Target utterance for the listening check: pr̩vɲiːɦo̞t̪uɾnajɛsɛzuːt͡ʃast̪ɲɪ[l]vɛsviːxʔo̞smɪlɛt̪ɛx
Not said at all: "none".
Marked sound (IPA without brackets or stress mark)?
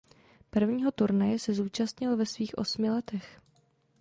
l